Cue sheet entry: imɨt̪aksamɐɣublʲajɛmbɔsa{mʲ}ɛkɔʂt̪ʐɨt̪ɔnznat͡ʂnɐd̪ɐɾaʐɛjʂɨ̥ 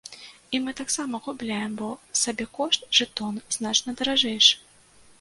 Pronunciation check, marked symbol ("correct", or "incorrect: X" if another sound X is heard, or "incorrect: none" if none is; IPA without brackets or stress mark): incorrect: bʲ